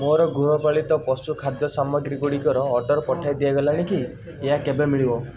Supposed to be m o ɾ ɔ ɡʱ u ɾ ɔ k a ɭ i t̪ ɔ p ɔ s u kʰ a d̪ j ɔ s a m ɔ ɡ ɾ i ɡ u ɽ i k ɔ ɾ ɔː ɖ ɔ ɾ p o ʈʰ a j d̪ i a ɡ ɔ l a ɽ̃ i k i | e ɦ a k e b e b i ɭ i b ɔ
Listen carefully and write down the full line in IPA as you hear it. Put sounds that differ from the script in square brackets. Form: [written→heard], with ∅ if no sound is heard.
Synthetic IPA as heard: m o ɾ ɔ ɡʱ u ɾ ɔ [k→p] a ɭ i t̪ ɔ p ɔ s u kʰ a d̪ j ɔ s a m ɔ ɡ ɾ i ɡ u ɽ i k ɔ ɾ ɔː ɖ ɔ ɾ p [o→ɔ] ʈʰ a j d̪ i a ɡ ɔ l a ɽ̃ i k i | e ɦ a k e b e [b→m] i ɭ i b ɔ